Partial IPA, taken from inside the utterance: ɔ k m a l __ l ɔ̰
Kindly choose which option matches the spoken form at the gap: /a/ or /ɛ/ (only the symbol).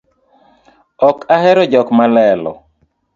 ɛ